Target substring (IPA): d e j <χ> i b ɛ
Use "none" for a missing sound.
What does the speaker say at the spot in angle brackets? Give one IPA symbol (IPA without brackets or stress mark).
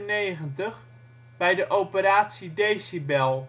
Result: s